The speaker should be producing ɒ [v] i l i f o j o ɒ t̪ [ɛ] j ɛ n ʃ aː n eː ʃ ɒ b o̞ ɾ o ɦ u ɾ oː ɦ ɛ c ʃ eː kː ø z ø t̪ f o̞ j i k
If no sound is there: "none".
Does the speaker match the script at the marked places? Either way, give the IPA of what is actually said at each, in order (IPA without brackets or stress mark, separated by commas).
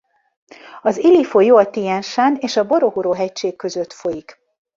z, i